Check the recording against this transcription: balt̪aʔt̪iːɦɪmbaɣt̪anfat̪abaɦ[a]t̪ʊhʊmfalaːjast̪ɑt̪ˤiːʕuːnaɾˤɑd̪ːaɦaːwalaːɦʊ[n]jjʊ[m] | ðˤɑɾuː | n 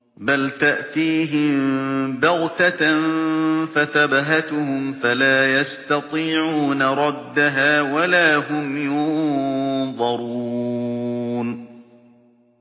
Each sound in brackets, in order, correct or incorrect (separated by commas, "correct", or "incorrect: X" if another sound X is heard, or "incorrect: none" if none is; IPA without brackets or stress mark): correct, incorrect: m, incorrect: n